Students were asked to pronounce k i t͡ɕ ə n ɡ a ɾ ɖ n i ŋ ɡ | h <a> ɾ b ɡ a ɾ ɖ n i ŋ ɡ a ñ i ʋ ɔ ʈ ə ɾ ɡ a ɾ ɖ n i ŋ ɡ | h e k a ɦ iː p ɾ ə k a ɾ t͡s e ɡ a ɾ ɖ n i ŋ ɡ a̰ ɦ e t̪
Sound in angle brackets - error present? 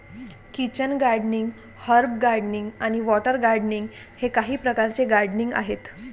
yes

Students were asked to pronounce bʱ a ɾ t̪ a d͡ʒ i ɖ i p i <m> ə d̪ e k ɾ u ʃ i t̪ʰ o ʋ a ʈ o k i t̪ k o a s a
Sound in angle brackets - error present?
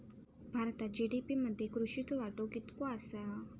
no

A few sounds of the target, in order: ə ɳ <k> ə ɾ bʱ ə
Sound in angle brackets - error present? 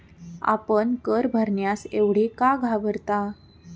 no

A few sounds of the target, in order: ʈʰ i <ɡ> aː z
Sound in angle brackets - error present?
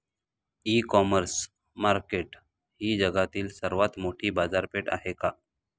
yes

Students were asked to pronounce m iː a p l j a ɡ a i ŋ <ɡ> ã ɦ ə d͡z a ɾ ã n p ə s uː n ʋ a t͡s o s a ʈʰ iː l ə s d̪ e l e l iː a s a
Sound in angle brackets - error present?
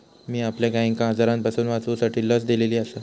yes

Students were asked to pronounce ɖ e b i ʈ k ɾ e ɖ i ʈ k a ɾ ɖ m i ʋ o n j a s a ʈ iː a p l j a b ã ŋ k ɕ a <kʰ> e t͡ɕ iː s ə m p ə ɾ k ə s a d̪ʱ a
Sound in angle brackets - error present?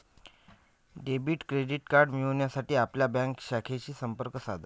no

